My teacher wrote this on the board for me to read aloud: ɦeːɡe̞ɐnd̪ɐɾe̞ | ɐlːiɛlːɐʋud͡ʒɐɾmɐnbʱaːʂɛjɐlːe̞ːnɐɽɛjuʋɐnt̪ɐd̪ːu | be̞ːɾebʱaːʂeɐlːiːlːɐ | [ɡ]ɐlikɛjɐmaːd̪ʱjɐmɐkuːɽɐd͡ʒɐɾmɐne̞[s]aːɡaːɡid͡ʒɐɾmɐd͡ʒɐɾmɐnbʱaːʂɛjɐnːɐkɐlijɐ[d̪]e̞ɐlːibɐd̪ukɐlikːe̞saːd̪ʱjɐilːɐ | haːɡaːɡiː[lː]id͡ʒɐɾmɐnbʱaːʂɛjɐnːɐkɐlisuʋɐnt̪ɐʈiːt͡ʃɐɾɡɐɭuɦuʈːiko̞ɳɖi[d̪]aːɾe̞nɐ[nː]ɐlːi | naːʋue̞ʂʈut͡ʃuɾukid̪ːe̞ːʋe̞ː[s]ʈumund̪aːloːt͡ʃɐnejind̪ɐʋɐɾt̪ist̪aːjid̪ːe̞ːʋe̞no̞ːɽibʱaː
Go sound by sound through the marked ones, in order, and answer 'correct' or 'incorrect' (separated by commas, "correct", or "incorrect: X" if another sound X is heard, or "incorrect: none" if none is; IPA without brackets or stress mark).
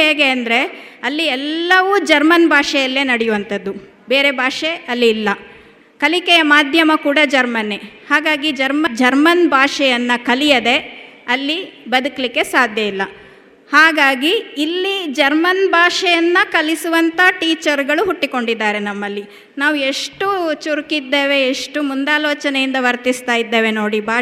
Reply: incorrect: k, incorrect: h, correct, correct, incorrect: d̪ː, incorrect: mː, incorrect: ʂ